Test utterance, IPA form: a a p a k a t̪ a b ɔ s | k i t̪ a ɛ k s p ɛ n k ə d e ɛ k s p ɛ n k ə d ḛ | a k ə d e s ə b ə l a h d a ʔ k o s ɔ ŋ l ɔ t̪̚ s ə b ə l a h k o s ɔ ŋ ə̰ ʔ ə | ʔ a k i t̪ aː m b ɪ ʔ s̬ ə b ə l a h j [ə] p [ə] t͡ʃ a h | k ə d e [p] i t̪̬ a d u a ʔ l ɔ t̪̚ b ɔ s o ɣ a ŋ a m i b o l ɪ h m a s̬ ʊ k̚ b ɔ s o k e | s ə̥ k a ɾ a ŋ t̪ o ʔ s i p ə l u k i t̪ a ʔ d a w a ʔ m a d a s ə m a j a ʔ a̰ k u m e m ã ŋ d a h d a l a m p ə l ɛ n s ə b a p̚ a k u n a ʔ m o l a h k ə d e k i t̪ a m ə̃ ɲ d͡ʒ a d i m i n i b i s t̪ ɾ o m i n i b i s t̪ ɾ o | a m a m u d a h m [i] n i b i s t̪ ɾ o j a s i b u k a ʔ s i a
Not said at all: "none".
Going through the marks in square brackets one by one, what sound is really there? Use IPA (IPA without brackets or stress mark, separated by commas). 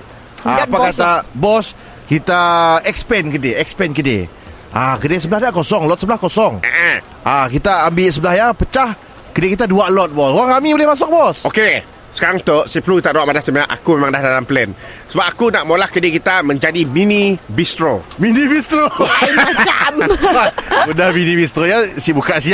a, ə, k, i